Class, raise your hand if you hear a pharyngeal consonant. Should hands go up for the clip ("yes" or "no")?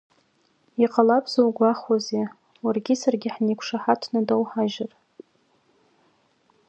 yes